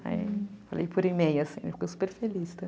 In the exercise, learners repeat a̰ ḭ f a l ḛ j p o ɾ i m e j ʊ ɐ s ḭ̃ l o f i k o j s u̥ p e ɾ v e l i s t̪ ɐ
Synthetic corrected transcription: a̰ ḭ f a l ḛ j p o ɾ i m e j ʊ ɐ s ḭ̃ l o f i k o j s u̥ p e ɾ f e l i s t̪ ɐ

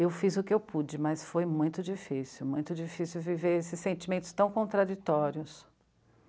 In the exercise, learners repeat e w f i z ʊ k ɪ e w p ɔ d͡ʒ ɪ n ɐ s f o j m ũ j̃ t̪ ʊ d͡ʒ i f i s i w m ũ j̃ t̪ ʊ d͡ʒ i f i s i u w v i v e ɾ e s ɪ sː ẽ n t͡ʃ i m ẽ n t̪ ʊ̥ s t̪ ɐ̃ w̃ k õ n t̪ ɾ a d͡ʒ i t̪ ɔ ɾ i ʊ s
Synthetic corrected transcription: e w f i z ʊ k ɪ e w p u d͡ʒ ɪ m ɐ s f o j m ũ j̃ t̪ ʊ d͡ʒ i f i s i w m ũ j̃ t̪ ʊ d͡ʒ i f i s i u w v i v e ɾ e s ɪ sː ẽ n t͡ʃ i m ẽ n t̪ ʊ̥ s t̪ ɐ̃ w̃ k õ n t̪ ɾ a d͡ʒ i t̪ ɔ ɾ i ʊ s

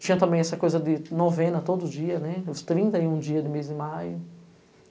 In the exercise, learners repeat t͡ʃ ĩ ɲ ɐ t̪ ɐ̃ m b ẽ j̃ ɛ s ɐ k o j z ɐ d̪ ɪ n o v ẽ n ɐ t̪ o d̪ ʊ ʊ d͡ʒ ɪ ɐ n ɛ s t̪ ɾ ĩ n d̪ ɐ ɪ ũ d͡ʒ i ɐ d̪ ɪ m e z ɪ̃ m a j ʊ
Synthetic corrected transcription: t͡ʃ ĩ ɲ ɐ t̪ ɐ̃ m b ẽ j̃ ɛ s ɐ k o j z ɐ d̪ ɪ n o v ẽ n ɐ t̪ o d̪ ʊ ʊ d͡ʒ i ɐ n ɛ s t̪ ɾ ĩ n t̪ ɐ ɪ ũ d͡ʒ i ɐ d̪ ɪ m e z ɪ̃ m a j ʊ

